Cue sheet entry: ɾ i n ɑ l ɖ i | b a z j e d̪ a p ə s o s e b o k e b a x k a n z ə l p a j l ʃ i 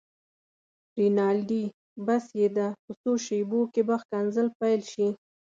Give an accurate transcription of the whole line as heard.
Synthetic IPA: ɾ i n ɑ l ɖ i | b a s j e d̪ a p ə s o ʃ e b o k e b a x k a n z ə l p a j l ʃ i